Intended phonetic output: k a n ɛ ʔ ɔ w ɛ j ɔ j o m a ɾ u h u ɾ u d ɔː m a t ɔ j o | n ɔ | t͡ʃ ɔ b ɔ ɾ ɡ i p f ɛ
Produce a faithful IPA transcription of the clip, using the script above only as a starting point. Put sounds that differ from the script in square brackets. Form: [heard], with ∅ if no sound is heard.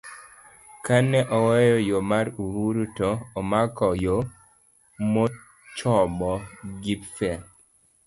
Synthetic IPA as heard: k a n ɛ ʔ ɔ w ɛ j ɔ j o m a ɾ u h u ɾ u [t] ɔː m a [k] ɔ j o | [m] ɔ | t͡ʃ ɔ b ɔ [∅] ɡ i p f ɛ

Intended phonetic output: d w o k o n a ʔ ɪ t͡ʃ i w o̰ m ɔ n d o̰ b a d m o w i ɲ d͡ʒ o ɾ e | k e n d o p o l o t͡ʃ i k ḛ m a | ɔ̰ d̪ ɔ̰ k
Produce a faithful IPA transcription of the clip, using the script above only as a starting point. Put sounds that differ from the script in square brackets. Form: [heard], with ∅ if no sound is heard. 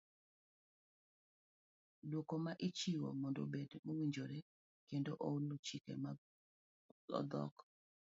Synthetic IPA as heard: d w o k o [m] a ʔ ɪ t͡ʃ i w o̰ m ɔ n d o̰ b [e] d m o w i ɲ d͡ʒ o ɾ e | k e n d o [ʔ] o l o t͡ʃ i k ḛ m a | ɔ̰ d̪ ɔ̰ k

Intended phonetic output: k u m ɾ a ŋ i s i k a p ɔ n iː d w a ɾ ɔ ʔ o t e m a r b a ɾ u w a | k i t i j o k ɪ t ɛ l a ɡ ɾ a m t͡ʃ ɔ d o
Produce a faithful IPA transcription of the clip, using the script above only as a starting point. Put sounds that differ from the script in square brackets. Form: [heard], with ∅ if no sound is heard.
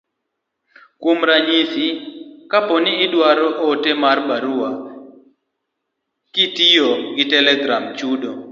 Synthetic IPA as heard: k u m ɾ a [ɲ] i s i k a p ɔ n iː d w a ɾ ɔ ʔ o t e m a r b a ɾ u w a | k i t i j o [ɡ] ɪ t ɛ l [ɛ] ɡ ɾ a m t͡ʃ [u] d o

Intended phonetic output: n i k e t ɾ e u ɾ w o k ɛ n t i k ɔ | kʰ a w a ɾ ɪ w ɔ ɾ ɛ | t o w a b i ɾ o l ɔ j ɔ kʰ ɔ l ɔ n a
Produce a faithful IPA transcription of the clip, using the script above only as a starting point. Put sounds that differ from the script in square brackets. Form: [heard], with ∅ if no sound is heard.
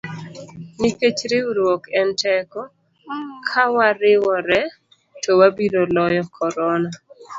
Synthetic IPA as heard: n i k e [t͡ʃ] ɾ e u ɾ w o k ɛ n t [ɛ] k ɔ | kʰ a w a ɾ ɪ w ɔ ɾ ɛ | t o w a b i ɾ o l ɔ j ɔ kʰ ɔ [ɾ] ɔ n a

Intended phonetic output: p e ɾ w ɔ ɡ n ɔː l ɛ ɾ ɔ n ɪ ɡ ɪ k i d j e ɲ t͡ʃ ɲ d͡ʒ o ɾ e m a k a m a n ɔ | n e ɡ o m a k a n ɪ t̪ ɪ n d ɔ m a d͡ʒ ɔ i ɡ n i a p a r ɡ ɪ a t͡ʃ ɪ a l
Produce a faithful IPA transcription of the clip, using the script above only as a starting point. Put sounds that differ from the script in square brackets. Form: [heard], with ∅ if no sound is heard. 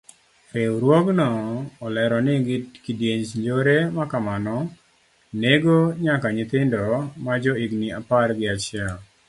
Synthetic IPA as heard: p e ɾ w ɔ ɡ n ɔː l ɛ ɾ ɔ n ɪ ɡ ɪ k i d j e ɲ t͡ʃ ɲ d͡ʒ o ɾ e m a k a m a n ɔ | n e ɡ o [ɲ] a k a [ɲ] ɪ t̪ ɪ n d ɔ m a d͡ʒ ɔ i ɡ n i a p a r ɡ ɪ a t͡ʃ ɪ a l

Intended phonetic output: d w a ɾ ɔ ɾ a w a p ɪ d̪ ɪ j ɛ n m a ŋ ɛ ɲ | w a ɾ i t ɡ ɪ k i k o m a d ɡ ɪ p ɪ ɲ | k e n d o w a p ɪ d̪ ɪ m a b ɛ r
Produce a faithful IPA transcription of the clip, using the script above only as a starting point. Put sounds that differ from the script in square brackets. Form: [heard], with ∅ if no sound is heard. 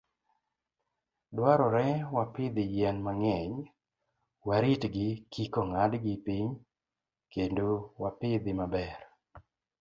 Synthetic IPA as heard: d w a ɾ ɔ ɾ [ɛ] w a p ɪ d̪ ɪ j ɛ n m a ŋ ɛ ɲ | w a ɾ i t ɡ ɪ k i k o [ŋ] a d ɡ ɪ p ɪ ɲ | k e n d o w a p ɪ d̪ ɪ m a b ɛ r

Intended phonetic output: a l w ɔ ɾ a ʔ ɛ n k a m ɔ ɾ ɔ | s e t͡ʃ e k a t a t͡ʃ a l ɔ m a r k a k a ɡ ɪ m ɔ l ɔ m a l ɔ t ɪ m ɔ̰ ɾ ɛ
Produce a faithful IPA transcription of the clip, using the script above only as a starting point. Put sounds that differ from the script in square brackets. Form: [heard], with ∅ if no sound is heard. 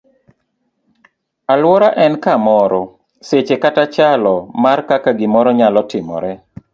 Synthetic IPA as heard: a l w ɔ ɾ a ʔ ɛ n k a m ɔ ɾ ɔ | s e t͡ʃ e k a t a t͡ʃ a l ɔ m a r k a k a ɡ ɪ m ɔ [ɾ] ɔ [ɲ] a l ɔ t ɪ m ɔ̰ ɾ ɛ

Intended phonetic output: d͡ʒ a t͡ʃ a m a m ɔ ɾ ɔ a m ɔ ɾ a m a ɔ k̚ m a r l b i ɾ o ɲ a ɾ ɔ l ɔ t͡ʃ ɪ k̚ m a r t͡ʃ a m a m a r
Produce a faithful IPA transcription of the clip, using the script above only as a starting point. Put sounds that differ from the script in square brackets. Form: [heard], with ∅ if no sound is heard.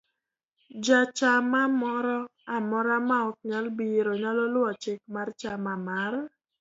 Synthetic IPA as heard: d͡ʒ a t͡ʃ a m a m ɔ ɾ ɔ a m ɔ ɾ a m a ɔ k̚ [ɲ] a [∅] l b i ɾ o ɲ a [l] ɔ l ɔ t͡ʃ ɪ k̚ m a r t͡ʃ a m a m a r

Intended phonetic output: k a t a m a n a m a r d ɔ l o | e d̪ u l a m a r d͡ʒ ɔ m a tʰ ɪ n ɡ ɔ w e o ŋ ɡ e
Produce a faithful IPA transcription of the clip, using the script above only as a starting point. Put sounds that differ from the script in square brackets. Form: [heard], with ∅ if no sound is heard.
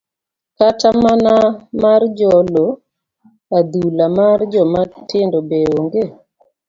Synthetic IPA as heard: k a t a m a n a m a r [d͡ʒ] ɔ l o | [a] d̪ u l a m a r d͡ʒ ɔ m a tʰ ɪ n [d] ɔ [b] e o ŋ ɡ e

